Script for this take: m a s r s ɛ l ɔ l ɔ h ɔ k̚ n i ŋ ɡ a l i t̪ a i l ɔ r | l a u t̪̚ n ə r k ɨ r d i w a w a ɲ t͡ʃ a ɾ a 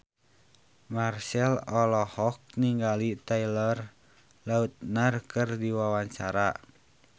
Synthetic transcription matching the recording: m a r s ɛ l ɔ l ɔ h ɔ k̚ n i ŋ ɡ a l i t̪ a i l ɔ r | l a u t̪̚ n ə r k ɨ r d i w a w a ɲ t͡ʃ a ɾ a